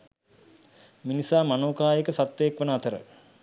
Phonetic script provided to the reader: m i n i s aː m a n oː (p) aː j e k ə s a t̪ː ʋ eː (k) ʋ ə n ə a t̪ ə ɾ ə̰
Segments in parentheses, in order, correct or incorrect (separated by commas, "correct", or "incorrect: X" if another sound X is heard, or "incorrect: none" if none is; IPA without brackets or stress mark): incorrect: k, correct